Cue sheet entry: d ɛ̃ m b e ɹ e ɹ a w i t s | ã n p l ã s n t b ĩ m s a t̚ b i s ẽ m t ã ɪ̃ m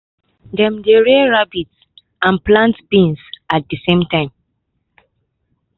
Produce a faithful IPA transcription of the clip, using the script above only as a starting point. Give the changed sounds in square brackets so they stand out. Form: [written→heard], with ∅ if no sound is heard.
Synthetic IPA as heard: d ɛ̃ m [b→d] e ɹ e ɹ a [w→b] i t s | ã n p l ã [s→∅] n t b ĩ [m→n] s a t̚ [b→d] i s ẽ m t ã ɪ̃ m